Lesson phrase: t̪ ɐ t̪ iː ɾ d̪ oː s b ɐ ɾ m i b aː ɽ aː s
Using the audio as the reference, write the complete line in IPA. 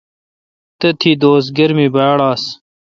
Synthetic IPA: t̪ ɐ t̪ʰ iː d̪ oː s ɡ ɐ ɾ m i b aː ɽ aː s